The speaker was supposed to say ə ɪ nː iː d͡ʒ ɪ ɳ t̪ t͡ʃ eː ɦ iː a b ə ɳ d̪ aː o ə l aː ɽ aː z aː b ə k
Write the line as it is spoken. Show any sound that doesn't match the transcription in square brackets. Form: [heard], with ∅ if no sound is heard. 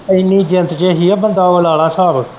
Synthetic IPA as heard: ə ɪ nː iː d͡ʒ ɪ [n] t̪ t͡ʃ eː ɦ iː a b ə [n] d̪ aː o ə l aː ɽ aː [s] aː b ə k